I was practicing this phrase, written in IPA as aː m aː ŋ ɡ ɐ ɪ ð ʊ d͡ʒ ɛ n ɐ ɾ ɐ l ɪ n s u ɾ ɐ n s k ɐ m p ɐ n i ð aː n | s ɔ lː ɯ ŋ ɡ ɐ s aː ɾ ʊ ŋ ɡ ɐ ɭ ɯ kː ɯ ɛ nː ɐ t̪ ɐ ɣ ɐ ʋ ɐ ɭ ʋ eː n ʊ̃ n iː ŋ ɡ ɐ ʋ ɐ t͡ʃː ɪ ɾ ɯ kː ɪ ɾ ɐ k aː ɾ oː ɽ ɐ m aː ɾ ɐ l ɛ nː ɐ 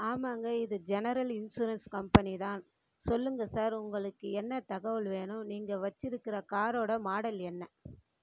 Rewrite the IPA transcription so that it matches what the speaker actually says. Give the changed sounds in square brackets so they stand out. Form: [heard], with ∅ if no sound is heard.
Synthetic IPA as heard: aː m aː ŋ ɡ ɐ ɪ ð [ɯ] d͡ʒ ɛ n ɐ ɾ ɐ l ɪ n s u ɾ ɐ n s k ɐ m p ɐ n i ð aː n | s ɔ lː ɯ ŋ ɡ ɐ s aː ɾ ʊ ŋ ɡ ɐ ɭ ɯ kː ɯ ɛ nː ɐ t̪ ɐ ɣ ɐ ʋ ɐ ɭ ʋ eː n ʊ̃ n iː ŋ ɡ ɐ ʋ ɐ t͡ʃː ɪ ɾ ɯ kː ɪ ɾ ɐ k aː ɾ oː ɽ ɐ m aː [ɽ] ɐ l ɛ nː ɐ